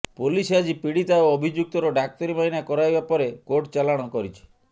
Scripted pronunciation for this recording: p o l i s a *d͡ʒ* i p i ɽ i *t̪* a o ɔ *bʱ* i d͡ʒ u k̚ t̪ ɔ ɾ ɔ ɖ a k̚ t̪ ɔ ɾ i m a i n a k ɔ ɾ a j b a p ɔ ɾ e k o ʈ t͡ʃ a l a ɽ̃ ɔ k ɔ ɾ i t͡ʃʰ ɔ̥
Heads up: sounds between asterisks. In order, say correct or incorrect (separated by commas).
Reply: correct, correct, correct